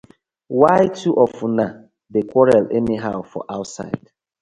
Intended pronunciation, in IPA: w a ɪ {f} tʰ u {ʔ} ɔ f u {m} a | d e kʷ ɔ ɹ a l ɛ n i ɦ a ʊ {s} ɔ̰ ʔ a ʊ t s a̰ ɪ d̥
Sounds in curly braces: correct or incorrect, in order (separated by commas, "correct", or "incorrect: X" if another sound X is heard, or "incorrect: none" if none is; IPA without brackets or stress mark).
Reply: incorrect: none, correct, incorrect: n, incorrect: f